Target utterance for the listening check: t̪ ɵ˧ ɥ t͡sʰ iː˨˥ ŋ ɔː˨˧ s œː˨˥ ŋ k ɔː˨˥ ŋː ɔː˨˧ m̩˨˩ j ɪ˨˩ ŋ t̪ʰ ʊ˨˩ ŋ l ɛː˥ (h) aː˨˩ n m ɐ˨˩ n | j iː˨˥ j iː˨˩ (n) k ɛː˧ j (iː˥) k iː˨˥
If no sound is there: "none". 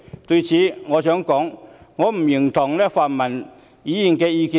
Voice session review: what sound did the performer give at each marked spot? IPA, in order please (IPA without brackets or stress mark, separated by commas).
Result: f, n, iː˧